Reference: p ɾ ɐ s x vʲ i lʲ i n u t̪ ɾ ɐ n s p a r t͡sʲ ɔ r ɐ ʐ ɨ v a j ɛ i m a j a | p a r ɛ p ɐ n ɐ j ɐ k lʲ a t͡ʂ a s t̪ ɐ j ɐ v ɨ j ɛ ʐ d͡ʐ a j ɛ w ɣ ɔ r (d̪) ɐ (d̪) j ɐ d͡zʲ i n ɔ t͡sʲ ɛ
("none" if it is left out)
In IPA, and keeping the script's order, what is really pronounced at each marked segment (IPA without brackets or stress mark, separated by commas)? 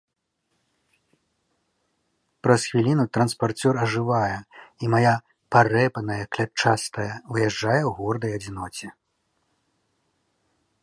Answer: d̪, none